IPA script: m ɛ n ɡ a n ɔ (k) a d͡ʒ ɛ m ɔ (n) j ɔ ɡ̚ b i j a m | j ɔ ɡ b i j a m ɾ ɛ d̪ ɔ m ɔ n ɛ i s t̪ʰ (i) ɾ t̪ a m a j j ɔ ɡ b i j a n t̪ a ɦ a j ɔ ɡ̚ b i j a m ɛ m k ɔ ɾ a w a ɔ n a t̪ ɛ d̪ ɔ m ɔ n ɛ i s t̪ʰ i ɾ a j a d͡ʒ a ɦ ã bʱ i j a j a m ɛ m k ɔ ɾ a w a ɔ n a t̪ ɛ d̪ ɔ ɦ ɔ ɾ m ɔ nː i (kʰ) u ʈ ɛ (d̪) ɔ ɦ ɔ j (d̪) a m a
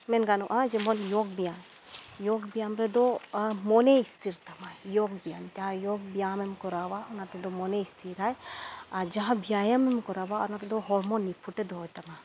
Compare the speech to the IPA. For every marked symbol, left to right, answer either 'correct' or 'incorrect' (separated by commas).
incorrect, correct, correct, incorrect, correct, incorrect